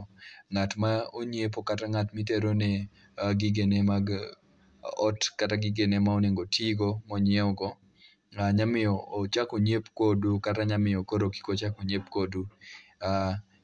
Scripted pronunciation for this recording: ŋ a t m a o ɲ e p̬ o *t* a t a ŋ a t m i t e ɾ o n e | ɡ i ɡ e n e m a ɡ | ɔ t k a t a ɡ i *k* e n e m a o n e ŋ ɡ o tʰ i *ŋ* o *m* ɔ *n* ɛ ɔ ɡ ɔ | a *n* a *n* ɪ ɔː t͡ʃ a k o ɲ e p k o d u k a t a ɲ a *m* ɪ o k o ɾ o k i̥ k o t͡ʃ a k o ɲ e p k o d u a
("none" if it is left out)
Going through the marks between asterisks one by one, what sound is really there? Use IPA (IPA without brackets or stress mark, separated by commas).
k, ɡ, ɡ, m, ɲ, ɲ, m, m